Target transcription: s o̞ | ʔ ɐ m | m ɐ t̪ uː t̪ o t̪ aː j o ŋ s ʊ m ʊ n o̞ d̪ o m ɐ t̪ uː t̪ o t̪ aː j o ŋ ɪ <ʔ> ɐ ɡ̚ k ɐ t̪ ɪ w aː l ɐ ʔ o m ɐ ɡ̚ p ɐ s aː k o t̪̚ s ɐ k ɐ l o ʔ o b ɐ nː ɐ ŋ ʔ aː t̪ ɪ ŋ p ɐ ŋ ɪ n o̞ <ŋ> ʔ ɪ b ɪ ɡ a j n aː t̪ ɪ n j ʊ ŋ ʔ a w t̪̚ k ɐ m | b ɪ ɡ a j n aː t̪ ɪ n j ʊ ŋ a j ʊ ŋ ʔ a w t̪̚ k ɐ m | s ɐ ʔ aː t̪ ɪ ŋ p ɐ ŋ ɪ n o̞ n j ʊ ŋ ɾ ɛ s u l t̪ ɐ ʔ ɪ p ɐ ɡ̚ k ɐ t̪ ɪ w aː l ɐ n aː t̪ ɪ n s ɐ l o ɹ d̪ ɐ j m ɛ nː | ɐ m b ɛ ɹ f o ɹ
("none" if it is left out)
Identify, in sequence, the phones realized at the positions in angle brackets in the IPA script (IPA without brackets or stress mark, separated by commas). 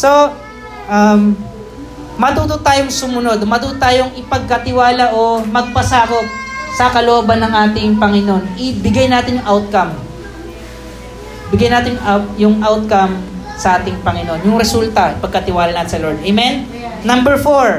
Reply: p, n